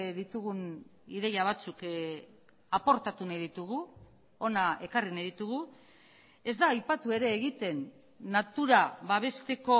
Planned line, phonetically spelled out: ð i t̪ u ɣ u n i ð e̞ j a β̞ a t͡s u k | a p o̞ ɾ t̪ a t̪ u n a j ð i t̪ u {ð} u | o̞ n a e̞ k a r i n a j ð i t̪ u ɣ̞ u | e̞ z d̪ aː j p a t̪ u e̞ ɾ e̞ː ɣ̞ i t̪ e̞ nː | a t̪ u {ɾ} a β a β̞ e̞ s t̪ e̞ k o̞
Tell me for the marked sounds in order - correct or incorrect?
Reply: incorrect: ɣ, correct

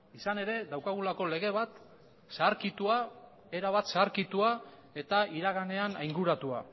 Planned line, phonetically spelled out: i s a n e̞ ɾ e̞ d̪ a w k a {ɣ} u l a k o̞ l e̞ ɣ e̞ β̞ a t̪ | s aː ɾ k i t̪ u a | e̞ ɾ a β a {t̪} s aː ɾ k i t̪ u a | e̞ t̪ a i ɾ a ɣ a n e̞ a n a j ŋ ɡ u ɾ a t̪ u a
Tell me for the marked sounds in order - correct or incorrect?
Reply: correct, correct

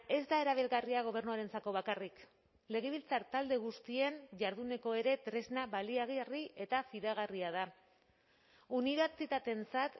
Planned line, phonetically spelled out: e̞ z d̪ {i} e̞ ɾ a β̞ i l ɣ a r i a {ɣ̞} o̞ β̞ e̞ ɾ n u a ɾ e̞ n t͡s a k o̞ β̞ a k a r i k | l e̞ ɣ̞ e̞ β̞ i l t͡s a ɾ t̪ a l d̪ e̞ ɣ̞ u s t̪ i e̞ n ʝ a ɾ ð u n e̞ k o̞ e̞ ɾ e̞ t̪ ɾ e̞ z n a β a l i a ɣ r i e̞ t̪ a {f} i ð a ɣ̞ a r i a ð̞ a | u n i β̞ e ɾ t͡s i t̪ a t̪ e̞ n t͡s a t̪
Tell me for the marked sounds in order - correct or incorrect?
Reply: incorrect: a, correct, correct

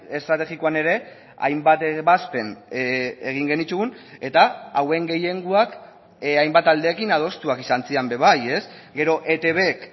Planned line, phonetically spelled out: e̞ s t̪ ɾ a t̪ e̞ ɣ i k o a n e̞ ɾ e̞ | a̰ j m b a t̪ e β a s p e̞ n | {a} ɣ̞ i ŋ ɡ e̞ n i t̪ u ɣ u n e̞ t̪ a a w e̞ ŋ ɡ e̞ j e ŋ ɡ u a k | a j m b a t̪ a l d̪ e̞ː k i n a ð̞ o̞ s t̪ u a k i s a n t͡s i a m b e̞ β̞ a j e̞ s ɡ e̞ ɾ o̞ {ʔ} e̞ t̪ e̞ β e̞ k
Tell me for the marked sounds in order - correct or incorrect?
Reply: incorrect: e, correct

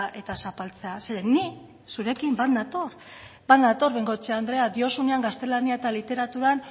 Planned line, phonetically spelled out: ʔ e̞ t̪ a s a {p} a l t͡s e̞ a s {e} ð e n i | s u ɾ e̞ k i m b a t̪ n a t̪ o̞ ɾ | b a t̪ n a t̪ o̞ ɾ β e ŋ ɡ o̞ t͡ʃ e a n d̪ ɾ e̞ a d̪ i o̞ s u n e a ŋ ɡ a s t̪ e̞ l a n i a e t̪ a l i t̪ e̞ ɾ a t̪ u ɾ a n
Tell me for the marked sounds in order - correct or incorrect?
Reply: correct, correct

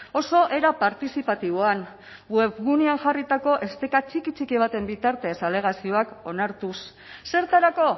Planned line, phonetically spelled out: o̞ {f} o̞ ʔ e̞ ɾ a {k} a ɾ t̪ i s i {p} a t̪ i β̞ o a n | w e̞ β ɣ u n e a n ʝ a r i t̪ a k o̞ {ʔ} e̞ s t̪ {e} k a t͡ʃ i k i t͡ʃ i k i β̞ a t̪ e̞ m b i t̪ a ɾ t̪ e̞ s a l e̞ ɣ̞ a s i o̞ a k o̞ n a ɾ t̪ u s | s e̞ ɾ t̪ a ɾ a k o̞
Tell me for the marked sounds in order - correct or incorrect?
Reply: incorrect: s, incorrect: p, correct, correct, correct

